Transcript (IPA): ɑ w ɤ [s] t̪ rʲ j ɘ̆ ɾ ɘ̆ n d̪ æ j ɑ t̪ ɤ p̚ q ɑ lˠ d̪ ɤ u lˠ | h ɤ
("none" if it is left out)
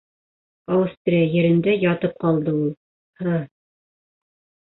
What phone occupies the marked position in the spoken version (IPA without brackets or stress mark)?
s